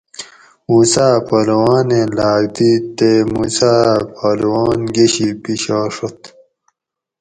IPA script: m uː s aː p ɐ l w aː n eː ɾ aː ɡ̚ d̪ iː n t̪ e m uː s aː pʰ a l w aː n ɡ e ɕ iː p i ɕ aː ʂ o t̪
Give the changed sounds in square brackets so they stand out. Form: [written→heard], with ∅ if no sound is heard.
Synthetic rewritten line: m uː s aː p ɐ l w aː n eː [ɾ→l] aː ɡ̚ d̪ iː [n→∅] t̪ e m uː s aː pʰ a l w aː n ɡ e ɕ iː p i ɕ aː ʂ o t̪